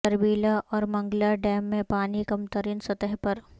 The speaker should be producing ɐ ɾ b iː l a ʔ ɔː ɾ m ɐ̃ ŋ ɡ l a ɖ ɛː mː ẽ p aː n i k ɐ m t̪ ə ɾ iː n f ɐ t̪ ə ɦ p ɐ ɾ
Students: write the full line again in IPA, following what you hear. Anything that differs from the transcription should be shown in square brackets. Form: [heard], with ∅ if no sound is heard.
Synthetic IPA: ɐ ɾ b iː l a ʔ ɔː ɾ m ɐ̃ ŋ ɡ l a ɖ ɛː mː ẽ p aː n i k ɐ m t̪ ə ɾ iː n [s] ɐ t̪ ə ɦ p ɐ ɾ